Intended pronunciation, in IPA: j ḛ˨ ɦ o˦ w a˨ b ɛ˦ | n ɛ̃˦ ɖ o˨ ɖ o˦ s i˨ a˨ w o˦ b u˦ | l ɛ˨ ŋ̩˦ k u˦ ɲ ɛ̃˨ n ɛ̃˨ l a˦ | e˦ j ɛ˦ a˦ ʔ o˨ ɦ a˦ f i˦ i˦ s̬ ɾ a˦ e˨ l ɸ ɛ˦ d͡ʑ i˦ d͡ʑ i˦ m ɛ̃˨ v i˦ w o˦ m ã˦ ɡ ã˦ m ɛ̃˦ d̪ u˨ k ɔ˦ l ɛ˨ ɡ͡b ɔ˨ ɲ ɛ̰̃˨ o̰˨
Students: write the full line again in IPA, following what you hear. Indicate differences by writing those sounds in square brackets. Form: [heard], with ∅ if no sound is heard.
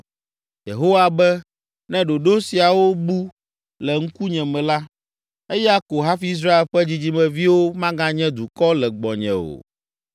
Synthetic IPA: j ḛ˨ ɦ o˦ w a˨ b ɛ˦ | n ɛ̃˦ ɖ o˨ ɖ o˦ s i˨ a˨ w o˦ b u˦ | l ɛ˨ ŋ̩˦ k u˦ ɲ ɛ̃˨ [m] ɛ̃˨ l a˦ | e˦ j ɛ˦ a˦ [k] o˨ ɦ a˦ f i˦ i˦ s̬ ɾ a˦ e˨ l ɸ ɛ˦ d͡ʑ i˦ d͡ʑ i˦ m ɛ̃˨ v i˦ w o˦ m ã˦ ɡ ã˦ [ɲ] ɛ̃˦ d̪ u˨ k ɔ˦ l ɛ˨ ɡ͡b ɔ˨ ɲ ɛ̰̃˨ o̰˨

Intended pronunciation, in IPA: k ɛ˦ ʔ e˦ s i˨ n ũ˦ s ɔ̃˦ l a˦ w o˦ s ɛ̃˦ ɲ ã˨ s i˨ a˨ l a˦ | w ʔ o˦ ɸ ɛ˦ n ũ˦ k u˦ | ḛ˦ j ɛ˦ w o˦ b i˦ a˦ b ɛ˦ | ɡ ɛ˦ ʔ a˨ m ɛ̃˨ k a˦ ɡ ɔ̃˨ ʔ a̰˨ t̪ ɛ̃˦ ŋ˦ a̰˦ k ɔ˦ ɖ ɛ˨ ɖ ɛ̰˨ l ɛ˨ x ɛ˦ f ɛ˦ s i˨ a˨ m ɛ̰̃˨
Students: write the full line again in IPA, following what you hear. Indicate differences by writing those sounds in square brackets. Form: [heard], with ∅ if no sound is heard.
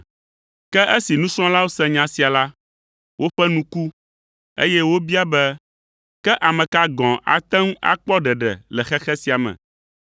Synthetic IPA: k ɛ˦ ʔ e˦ s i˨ n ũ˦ s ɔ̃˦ l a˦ w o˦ s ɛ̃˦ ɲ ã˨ s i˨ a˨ l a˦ | w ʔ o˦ ɸ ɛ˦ n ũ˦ k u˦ | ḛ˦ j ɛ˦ w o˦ b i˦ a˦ b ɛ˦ | [k] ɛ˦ ʔ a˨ m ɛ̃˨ k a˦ ɡ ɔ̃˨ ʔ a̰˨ t̪ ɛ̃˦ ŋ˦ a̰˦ [k͡p] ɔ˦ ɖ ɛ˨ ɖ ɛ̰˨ l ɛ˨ x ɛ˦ [x] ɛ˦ s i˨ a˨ m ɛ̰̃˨

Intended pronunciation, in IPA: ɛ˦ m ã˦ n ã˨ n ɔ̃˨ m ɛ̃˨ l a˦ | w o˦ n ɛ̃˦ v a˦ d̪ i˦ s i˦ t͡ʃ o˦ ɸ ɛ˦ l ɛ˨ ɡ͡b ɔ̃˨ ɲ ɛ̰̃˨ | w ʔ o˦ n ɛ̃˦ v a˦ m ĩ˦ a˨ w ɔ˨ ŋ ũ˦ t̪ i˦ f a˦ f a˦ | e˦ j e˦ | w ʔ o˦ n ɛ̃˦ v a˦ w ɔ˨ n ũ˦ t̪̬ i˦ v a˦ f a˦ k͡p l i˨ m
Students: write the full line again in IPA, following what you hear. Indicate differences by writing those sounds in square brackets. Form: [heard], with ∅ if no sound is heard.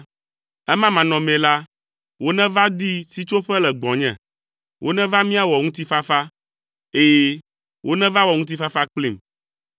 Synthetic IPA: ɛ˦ m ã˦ [m] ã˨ n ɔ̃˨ m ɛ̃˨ l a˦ | w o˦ n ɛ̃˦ v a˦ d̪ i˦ s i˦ t͡ʃ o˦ ɸ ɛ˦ l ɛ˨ ɡ͡b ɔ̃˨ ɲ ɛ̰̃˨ | w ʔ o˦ n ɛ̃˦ v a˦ m ĩ˦ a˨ w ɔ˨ ŋ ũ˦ t̪ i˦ f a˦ f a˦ | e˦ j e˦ | w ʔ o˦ n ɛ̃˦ v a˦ w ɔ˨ [ŋ] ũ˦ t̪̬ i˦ [f] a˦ f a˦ k͡p l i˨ m

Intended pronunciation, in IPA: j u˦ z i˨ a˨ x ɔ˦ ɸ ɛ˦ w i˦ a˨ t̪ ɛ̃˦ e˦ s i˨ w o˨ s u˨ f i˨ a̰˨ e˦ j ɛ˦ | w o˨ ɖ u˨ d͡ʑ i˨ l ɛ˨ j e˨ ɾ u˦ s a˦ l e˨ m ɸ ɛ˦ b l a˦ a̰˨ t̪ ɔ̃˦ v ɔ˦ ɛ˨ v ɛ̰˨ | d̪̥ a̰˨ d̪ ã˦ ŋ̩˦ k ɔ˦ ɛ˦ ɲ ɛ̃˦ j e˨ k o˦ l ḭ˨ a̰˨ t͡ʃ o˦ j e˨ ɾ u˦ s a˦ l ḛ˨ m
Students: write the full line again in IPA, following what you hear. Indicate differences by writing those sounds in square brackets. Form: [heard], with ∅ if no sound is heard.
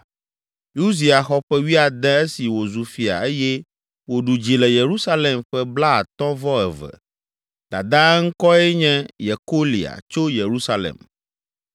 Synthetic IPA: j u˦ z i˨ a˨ x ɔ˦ ɸ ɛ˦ w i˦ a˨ [d̪] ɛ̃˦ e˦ s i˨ w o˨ [z] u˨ f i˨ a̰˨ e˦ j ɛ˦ | w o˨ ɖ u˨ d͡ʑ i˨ l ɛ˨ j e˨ ɾ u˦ s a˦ l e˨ m ɸ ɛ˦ b l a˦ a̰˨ t̪ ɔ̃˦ v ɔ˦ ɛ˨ v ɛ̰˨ | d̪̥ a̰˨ d̪ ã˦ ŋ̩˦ k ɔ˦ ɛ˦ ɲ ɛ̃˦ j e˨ k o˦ l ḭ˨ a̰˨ t͡ʃ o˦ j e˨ ɾ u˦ s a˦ l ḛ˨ m

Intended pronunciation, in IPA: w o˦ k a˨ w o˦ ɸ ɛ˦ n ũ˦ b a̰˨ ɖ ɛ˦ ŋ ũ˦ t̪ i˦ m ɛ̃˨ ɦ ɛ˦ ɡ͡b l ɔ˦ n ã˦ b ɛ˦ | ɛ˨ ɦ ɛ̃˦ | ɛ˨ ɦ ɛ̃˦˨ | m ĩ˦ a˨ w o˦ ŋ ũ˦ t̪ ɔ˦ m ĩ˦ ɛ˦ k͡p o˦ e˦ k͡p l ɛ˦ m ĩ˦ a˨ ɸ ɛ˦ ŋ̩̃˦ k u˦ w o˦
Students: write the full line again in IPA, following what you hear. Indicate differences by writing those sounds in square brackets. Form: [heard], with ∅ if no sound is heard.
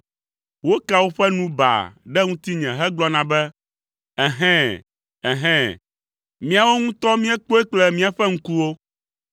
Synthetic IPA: w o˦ k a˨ w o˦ ɸ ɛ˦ n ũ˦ b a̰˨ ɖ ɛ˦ ŋ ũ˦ t̪ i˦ [ɲ] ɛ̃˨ ɦ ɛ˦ ɡ͡b l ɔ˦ n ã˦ b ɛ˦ | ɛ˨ ɦ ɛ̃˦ | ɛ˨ ɦ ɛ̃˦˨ | m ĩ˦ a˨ w o˦ ŋ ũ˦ t̪ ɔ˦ m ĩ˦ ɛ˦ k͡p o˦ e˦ k͡p l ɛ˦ m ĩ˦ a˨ ɸ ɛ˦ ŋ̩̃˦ k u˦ w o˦

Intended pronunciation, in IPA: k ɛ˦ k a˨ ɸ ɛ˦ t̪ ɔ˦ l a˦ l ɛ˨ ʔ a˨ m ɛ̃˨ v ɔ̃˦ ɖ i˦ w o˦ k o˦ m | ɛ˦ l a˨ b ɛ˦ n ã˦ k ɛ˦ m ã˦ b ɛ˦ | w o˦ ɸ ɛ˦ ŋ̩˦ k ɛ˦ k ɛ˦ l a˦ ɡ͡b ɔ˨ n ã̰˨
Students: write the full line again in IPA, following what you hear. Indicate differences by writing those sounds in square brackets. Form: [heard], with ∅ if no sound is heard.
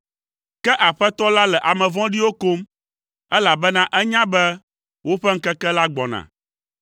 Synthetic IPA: k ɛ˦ [ʔ] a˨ ɸ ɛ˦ t̪ ɔ˦ l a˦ l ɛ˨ ʔ a˨ m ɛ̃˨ v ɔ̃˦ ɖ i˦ w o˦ k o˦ m | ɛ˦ l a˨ b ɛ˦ n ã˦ [ʔ] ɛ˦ [ɲ] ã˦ b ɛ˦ | w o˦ ɸ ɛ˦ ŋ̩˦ k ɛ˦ k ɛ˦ l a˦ ɡ͡b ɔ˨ n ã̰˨

